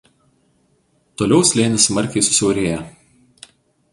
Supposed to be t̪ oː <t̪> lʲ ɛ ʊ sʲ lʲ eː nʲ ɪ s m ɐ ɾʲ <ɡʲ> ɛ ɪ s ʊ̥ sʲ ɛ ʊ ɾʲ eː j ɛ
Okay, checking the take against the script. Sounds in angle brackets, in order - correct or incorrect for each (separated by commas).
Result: incorrect, incorrect